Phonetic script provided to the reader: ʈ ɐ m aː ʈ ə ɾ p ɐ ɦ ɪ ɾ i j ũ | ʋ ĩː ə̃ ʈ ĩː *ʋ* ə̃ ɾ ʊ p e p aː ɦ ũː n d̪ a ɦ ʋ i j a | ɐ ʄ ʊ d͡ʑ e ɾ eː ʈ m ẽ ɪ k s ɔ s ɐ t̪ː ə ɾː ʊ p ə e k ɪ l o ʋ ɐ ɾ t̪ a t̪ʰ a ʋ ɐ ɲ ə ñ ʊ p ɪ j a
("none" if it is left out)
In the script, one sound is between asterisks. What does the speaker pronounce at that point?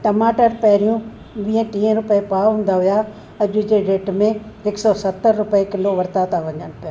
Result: none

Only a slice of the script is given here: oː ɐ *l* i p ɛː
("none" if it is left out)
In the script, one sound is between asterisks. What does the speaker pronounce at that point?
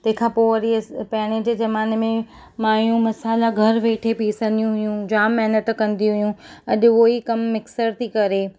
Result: ɾ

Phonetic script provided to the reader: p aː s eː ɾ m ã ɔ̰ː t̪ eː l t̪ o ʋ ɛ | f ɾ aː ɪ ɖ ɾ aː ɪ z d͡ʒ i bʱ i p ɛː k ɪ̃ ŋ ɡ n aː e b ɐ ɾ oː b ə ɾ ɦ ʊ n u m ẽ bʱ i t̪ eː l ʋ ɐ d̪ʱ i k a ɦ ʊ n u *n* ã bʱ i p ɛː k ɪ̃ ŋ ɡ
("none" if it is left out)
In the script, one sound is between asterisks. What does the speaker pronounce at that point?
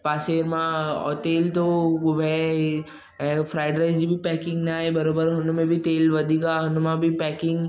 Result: m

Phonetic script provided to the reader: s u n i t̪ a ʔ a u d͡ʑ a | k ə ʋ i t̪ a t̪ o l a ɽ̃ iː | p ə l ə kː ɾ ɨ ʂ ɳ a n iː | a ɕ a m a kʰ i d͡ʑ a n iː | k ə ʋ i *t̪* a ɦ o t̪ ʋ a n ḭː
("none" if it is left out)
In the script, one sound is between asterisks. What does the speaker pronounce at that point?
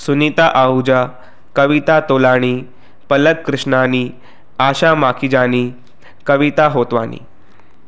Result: t̪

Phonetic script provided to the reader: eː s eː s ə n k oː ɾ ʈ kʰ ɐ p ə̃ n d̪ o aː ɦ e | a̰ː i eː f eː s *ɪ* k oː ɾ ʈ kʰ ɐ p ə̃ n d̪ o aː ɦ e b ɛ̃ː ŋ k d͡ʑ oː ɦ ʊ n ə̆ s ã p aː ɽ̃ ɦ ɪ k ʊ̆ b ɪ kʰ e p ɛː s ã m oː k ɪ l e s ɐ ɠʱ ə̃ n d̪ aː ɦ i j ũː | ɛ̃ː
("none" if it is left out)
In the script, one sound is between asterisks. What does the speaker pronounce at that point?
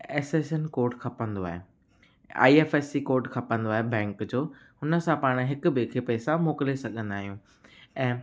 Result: i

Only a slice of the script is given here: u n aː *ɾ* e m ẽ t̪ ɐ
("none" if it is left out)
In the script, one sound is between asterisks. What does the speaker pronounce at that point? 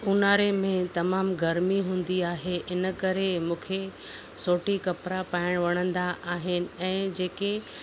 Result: ɾ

